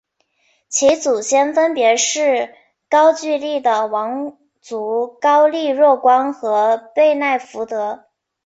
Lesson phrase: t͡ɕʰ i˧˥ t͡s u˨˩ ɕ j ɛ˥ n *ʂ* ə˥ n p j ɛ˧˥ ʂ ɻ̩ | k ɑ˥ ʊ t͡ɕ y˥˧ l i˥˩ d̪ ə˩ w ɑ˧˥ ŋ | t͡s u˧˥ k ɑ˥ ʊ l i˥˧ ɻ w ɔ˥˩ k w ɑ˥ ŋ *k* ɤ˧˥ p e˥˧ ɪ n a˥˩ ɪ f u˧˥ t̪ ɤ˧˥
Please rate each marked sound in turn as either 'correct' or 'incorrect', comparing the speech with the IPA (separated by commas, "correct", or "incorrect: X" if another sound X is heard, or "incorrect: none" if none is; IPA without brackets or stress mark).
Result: incorrect: f, incorrect: x